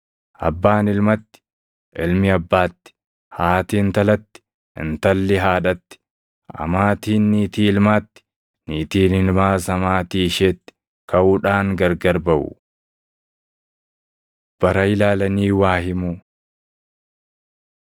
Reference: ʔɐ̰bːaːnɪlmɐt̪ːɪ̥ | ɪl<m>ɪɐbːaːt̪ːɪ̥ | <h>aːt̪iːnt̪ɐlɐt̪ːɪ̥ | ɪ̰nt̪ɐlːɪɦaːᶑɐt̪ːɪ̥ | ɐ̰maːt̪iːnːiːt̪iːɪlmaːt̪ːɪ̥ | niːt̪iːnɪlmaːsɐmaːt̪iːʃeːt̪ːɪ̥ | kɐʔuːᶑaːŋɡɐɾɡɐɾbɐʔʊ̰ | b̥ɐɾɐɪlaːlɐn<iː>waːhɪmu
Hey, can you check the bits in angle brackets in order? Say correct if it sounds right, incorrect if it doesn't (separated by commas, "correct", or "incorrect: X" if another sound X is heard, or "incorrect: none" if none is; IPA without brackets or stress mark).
correct, correct, correct